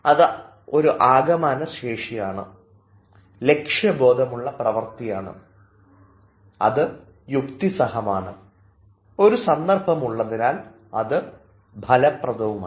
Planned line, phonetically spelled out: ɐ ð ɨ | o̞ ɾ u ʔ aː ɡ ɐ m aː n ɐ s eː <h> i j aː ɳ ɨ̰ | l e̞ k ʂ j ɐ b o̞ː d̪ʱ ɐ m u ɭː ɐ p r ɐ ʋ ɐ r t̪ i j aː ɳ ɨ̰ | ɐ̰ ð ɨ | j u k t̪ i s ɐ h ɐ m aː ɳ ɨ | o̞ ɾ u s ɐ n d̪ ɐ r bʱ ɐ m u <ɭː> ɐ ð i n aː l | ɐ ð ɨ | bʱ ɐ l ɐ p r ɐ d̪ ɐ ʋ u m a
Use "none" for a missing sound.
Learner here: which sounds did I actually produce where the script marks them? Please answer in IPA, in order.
ʂ, ɭː

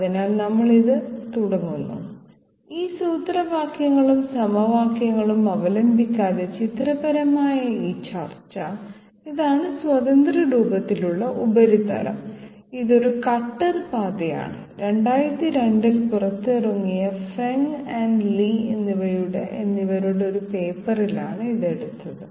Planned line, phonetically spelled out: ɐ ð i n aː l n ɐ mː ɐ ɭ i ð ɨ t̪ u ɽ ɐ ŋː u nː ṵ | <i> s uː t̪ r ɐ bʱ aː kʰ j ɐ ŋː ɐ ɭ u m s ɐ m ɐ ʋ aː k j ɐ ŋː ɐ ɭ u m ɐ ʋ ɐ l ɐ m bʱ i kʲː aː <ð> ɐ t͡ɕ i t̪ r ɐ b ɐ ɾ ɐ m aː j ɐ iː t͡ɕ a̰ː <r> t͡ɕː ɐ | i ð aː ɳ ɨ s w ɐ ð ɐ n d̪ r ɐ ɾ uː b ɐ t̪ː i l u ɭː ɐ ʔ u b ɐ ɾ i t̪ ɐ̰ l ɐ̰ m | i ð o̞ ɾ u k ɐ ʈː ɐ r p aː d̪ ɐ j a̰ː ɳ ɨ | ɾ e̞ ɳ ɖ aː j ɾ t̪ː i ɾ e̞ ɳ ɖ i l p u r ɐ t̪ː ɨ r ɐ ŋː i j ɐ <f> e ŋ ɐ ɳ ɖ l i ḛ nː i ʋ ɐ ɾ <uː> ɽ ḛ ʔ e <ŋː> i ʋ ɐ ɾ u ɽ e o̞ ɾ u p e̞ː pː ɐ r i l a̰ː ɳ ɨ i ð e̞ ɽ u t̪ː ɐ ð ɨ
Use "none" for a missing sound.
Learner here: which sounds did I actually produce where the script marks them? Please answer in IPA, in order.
iː, ð, r, f, u, nː

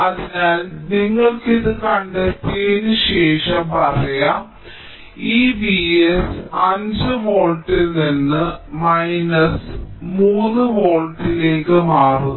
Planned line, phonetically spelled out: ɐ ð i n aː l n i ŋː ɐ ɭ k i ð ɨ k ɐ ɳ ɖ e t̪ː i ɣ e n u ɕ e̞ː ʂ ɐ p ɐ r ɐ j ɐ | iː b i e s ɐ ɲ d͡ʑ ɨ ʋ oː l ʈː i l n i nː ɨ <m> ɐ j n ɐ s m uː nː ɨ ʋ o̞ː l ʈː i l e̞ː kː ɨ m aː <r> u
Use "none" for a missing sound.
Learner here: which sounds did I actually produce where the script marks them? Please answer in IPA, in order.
m, r

